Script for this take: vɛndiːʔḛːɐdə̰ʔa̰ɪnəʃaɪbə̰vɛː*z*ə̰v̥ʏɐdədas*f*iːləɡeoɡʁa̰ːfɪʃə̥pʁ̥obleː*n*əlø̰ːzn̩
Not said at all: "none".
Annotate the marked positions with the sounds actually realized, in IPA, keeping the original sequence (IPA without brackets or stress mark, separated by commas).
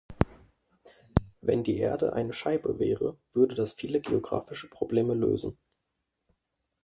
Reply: ʁ, f, m